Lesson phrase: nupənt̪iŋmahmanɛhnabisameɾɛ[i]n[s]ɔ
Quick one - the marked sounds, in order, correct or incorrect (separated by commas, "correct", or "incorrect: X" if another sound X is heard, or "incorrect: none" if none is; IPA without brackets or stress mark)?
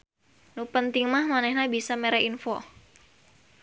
correct, incorrect: f